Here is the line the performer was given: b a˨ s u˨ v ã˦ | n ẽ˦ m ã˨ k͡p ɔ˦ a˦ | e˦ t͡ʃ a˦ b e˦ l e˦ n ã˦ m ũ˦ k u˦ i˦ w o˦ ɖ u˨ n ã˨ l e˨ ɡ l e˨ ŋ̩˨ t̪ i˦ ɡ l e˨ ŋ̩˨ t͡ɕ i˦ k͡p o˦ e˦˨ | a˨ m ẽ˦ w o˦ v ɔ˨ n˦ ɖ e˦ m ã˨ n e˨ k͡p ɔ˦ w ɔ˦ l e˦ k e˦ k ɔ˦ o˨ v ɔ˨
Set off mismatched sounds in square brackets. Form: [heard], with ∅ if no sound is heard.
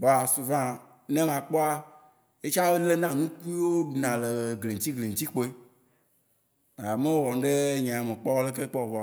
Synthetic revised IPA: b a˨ s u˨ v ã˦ | n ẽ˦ m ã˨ k͡p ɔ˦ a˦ | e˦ t͡ʃ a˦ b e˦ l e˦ n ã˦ [n] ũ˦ k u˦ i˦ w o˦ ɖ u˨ n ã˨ l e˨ ɡ l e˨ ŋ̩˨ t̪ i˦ ɡ l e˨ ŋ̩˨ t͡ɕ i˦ k͡p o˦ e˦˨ | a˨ m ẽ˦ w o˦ [w] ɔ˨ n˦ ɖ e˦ [ɲ] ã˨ [m] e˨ k͡p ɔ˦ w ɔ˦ l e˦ k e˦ [k͡p] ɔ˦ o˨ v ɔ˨

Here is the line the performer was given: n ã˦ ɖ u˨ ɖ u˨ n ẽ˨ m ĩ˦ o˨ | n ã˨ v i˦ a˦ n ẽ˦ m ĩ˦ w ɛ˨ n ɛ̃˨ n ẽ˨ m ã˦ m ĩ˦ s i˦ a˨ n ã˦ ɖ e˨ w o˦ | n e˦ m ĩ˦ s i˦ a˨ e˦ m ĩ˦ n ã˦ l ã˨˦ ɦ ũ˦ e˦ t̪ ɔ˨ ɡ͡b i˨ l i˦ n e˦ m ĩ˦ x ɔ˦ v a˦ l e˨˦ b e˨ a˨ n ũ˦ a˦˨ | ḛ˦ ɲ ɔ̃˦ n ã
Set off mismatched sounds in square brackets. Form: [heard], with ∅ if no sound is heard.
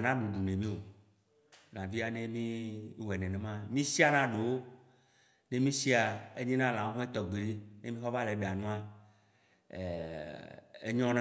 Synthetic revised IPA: n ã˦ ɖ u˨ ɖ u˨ n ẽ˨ m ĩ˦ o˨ | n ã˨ v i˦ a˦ n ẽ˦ m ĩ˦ w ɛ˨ n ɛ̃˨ n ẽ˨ m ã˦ m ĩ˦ s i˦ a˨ n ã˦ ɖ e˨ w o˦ | n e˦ m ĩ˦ s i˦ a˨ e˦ [ɲ] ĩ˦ n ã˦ l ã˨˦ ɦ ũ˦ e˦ t̪ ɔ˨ ɡ͡b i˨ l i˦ n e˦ m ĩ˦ x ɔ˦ v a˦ l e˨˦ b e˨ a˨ n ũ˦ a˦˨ | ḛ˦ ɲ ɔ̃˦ n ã

